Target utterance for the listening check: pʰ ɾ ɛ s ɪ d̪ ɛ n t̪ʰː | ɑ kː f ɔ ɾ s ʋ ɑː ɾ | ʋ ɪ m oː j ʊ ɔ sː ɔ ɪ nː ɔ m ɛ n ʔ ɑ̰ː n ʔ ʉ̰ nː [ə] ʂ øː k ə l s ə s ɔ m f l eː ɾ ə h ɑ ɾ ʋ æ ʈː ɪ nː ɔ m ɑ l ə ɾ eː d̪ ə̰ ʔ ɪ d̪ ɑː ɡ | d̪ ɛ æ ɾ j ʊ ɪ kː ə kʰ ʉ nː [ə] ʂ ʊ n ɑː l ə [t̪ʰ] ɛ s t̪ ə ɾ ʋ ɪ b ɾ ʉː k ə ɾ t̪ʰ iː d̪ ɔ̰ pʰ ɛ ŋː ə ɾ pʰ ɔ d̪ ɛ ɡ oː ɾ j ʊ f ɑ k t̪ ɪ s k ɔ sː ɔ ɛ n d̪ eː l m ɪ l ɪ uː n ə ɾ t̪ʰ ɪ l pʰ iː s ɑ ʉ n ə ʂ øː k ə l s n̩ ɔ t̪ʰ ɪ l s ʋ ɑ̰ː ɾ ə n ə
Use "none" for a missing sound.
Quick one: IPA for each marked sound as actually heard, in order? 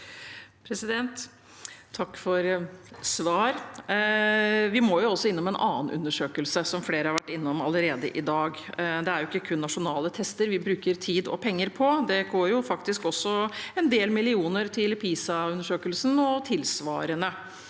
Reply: ə, ɑ, t̪ʰ

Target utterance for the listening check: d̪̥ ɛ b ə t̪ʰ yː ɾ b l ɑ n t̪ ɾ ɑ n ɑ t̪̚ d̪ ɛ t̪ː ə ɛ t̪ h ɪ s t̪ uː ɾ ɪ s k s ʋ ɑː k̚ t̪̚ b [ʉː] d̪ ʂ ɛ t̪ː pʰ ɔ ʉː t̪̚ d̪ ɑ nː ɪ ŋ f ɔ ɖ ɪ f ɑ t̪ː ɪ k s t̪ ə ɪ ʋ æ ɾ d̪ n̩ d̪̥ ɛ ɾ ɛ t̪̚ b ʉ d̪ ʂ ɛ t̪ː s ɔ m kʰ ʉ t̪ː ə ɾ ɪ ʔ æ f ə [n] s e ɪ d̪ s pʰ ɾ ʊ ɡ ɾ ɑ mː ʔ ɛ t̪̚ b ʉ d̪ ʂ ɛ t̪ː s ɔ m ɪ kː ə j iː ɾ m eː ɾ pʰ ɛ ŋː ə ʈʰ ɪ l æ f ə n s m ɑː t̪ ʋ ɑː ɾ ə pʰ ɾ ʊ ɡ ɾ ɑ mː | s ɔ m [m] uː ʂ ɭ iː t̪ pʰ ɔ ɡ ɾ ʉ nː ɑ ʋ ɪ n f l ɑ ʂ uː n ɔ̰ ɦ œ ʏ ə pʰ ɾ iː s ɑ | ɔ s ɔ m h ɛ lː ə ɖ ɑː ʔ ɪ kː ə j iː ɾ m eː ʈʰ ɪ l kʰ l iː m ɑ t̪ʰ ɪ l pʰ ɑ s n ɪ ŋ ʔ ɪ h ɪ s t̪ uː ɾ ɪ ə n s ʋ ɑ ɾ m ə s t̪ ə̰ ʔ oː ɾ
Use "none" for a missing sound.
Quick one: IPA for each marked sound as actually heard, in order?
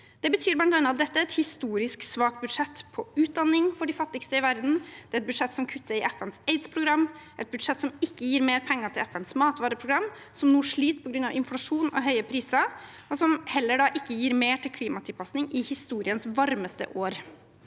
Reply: ʉ, n, n

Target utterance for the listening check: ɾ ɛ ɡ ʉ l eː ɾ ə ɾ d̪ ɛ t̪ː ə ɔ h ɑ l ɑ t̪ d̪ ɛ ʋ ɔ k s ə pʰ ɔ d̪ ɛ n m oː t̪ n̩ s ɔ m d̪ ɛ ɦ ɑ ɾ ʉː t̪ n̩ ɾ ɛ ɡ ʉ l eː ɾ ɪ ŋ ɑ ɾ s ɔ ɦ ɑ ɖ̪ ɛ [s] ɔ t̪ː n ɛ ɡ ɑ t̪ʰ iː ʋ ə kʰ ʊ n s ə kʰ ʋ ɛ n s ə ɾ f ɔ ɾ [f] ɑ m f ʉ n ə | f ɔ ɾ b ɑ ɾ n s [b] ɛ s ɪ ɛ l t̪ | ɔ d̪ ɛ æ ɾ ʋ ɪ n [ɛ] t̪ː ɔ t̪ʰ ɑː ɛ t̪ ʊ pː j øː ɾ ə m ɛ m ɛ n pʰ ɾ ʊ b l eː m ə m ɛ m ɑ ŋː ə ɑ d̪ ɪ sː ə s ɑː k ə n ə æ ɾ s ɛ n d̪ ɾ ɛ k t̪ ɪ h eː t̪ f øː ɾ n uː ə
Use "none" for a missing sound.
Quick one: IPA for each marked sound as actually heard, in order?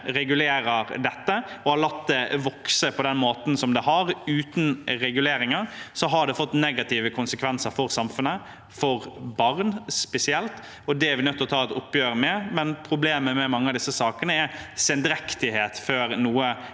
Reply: f, s, p, œ

